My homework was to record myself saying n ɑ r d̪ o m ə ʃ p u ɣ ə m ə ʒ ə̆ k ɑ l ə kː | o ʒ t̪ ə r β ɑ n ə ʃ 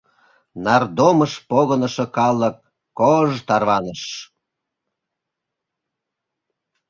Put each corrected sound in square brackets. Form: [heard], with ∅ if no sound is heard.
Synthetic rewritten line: n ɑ r d̪ o m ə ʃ p [o] ɣ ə [n] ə [ʃ] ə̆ k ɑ l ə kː | o ʒ t̪ [ɑ] r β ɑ n ə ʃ